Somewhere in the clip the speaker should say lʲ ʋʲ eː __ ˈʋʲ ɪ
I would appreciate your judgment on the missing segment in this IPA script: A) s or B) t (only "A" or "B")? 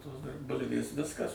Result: A